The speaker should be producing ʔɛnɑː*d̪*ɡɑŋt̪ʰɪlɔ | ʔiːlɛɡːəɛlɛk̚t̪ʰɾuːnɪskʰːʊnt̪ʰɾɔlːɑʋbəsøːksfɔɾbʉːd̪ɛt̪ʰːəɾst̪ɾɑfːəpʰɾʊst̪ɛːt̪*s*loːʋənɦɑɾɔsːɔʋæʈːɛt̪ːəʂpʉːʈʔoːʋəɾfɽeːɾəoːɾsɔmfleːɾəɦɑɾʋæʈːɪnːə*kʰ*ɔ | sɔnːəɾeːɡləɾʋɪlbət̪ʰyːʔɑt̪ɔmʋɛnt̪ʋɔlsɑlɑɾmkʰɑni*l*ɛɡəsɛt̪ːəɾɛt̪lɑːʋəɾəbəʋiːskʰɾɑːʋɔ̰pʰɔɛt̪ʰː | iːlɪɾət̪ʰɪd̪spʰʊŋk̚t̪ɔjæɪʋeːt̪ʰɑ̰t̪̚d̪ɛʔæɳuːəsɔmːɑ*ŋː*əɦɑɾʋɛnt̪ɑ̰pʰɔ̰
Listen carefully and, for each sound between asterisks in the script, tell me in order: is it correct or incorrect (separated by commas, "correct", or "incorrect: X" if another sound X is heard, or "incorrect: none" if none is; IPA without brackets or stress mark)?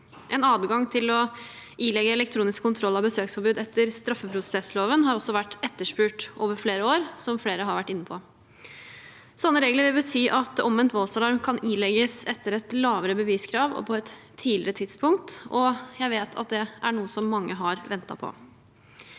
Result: correct, correct, incorrect: pʰ, correct, correct